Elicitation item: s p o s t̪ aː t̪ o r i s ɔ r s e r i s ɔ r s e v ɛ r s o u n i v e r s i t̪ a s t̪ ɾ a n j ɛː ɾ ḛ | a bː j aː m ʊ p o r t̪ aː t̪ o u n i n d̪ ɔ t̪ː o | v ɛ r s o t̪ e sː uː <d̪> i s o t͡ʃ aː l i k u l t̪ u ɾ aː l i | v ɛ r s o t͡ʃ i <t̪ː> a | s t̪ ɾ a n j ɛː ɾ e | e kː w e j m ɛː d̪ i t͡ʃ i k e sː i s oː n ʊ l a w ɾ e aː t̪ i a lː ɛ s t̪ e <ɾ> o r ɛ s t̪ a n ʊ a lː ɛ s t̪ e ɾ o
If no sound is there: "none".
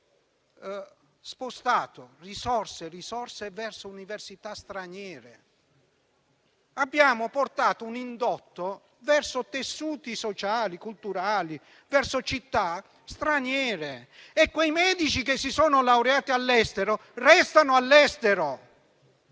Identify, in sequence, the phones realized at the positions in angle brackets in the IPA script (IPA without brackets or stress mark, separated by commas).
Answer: t̪, t̪ː, ɾ